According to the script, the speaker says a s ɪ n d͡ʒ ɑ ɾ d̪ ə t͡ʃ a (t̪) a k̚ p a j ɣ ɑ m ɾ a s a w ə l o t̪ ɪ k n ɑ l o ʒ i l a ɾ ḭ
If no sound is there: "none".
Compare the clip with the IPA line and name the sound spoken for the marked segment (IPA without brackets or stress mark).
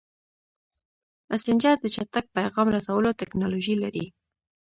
t̪